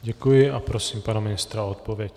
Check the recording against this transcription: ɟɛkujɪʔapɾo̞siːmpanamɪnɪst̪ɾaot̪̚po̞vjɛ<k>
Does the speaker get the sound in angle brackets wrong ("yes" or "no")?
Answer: yes